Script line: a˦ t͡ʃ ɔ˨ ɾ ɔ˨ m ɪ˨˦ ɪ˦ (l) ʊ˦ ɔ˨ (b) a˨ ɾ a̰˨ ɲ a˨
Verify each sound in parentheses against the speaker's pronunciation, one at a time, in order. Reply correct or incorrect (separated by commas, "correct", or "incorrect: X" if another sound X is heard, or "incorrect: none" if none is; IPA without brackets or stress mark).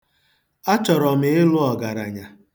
correct, incorrect: ɡ